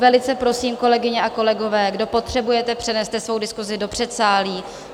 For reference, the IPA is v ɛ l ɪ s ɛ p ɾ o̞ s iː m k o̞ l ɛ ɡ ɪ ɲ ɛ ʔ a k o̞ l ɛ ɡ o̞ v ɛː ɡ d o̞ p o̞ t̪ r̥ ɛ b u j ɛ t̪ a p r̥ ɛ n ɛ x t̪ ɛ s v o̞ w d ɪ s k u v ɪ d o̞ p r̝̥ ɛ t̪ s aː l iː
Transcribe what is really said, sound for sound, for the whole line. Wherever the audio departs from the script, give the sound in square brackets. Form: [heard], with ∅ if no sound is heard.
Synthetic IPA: v ɛ l ɪ [t͡s] ɛ p ɾ o̞ s iː m k o̞ l ɛ ɡ ɪ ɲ ɛ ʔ a k o̞ l ɛ ɡ o̞ v ɛː ɡ d o̞ p o̞ t̪ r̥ ɛ b u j ɛ t̪ [ɛ] p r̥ ɛ n ɛ [s] t̪ ɛ s v o̞ w d ɪ s k u [z] ɪ d o̞ p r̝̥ ɛ t̪ s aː l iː